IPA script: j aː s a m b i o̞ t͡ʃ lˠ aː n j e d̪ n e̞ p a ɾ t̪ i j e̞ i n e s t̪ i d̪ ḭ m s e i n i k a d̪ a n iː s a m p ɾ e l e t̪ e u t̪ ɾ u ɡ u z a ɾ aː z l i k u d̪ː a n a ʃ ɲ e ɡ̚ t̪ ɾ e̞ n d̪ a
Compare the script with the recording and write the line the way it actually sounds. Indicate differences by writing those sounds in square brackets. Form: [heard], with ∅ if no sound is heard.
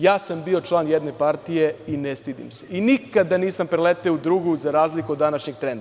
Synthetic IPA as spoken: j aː s a m b i o̞ t͡ʃ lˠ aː n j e d̪ n e̞ p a ɾ t̪ i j e̞ i n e s t̪ i d̪ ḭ m s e i n i k a d̪ a n iː s a m p ɾ e l e t̪ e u [d̪] ɾ u ɡ u z a ɾ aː z l i k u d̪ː a n a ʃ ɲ e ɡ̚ t̪ ɾ e̞ n d̪ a